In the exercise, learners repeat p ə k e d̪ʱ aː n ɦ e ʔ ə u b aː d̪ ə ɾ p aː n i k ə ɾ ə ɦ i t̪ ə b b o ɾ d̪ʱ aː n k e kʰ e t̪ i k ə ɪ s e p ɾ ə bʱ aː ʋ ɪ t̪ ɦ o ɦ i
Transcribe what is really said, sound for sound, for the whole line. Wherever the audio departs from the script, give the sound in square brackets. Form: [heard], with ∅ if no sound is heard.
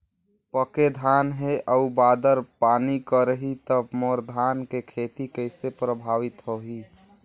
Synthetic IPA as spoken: p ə k e d̪ʱ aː n ɦ e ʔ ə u b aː d̪ ə ɾ p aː n i k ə ɾ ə ɦ i t̪ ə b [m] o ɾ d̪ʱ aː n k e kʰ e t̪ i k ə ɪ s e p ɾ ə bʱ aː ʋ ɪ t̪ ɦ o ɦ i